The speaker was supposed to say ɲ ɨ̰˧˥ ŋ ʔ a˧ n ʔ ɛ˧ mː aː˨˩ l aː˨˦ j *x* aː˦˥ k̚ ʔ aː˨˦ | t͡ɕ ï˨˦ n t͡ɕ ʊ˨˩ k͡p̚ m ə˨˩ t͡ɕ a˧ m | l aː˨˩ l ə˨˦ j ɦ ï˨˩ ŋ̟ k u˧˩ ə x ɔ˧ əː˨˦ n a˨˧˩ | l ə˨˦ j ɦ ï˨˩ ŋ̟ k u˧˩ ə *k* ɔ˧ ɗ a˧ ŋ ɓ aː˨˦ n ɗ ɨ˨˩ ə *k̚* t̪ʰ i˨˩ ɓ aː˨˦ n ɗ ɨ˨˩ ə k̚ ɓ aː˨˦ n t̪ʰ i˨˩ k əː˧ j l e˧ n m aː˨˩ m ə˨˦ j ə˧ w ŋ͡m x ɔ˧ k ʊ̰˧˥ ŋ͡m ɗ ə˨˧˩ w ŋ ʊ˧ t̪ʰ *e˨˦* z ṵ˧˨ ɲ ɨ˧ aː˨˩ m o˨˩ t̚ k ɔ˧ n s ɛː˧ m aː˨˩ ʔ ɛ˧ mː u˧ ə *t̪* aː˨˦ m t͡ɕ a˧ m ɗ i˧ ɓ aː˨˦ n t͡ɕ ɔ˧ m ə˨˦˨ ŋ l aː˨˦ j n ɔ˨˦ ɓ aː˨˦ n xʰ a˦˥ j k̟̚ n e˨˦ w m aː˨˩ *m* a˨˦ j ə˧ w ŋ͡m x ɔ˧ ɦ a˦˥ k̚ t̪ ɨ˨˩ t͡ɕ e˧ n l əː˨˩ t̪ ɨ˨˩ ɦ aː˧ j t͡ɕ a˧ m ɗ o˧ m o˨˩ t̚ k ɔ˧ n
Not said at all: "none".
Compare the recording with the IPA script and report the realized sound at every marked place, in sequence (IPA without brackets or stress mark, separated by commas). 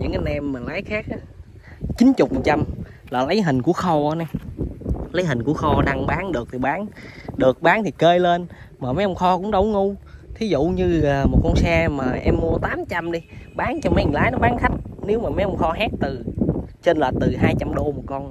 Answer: x, x, k̚, i˨˦, t̪, m